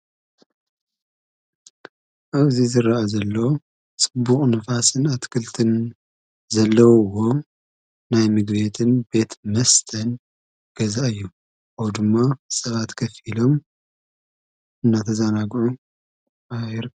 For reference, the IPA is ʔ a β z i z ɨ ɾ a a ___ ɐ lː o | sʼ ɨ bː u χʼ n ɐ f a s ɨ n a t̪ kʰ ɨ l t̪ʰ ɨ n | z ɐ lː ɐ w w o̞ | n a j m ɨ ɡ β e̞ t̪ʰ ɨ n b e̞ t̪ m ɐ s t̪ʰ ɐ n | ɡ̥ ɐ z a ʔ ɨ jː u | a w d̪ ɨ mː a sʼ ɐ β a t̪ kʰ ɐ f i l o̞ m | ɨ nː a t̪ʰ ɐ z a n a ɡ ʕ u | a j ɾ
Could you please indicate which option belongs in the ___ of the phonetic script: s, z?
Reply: z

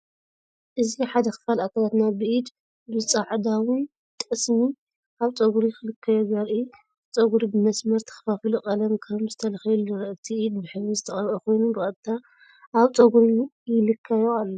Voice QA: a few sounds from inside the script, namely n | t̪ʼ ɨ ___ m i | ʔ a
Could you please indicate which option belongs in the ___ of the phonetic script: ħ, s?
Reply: s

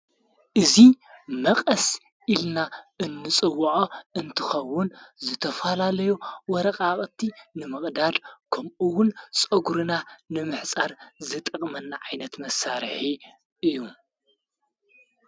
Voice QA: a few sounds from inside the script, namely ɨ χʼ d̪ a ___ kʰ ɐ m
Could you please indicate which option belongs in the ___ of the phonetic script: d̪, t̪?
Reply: d̪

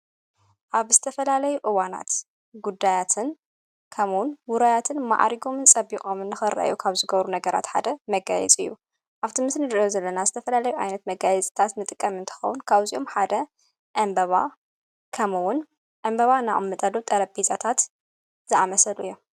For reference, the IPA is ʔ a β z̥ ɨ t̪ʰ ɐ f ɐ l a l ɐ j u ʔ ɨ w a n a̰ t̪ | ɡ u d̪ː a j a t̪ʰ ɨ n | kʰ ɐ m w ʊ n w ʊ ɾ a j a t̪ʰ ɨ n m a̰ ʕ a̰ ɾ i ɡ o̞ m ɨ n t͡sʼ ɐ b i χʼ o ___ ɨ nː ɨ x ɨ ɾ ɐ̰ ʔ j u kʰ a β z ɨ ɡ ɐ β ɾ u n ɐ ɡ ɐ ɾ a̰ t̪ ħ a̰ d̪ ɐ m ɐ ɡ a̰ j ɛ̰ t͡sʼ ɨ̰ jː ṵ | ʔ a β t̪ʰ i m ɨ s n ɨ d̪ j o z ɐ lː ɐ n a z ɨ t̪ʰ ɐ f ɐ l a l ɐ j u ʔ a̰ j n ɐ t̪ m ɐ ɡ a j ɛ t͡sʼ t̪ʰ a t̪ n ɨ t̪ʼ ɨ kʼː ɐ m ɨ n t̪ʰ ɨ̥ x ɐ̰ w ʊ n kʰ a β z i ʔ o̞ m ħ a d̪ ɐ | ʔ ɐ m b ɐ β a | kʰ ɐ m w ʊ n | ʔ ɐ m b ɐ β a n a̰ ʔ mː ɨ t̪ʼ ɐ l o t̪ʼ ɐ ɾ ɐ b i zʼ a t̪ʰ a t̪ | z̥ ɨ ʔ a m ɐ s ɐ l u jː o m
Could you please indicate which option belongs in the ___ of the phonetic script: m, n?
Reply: m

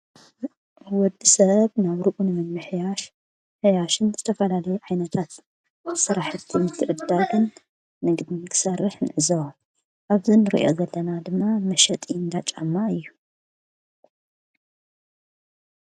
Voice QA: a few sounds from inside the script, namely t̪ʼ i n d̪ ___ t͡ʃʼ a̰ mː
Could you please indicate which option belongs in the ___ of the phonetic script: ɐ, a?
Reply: a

